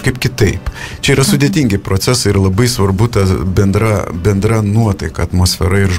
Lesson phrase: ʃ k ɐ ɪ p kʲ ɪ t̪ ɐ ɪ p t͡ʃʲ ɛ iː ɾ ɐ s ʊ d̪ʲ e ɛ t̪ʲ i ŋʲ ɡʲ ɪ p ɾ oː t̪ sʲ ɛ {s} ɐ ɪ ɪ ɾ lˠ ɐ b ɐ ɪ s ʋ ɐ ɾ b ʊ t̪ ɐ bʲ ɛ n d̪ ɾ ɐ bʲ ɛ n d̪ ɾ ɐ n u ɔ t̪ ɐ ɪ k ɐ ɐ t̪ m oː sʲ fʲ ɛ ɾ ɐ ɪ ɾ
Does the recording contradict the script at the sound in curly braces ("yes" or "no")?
no